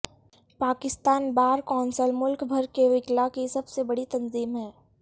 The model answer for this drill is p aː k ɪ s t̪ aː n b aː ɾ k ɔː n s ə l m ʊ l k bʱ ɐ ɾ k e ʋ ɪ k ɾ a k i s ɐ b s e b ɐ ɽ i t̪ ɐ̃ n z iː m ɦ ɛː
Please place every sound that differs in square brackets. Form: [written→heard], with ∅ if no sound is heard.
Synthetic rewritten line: p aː k ɪ s t̪ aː n b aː ɾ k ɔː n s ə l m ʊ l k bʱ ɐ ɾ k e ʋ ɪ k [ɾ→l] a k i s ɐ b s e b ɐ ɽ i t̪ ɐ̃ n z iː m ɦ ɛː